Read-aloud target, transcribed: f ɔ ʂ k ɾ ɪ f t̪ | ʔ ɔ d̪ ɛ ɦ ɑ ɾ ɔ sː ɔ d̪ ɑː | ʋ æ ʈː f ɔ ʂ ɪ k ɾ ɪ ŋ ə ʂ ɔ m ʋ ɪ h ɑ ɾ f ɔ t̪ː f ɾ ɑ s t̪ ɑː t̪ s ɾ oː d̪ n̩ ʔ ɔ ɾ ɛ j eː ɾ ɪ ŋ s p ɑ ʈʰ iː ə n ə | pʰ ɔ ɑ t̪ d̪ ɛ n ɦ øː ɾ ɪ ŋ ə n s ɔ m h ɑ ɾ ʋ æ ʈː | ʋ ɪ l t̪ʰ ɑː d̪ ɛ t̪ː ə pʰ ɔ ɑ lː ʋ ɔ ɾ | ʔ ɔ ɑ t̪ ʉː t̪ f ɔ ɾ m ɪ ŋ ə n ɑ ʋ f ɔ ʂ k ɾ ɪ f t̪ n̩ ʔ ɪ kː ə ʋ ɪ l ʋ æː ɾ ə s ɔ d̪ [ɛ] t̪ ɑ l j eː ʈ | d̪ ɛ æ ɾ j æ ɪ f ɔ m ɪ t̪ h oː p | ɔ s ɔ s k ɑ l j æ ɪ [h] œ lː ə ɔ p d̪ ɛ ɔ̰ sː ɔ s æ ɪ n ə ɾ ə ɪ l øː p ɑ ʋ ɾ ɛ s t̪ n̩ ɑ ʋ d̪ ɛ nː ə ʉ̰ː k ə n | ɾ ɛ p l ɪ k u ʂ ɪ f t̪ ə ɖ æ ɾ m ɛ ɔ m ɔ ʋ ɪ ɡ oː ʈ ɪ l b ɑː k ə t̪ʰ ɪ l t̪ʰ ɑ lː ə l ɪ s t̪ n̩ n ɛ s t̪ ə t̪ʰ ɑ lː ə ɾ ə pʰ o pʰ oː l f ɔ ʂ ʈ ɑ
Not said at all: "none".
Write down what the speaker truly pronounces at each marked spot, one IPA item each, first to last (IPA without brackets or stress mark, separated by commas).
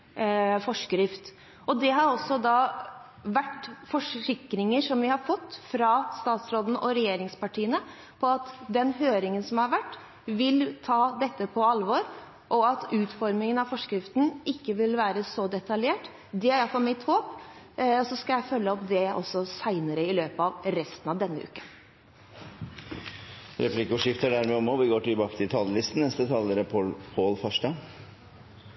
ɛ, f